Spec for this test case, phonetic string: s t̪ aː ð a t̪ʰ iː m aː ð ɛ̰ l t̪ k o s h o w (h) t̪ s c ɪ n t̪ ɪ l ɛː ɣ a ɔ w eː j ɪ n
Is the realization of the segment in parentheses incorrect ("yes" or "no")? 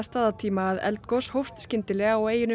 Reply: yes